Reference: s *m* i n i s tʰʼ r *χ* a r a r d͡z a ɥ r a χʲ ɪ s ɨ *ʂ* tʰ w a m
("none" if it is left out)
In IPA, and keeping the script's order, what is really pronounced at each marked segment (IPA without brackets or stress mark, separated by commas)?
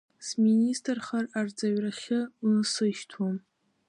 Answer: m, χ, ʃ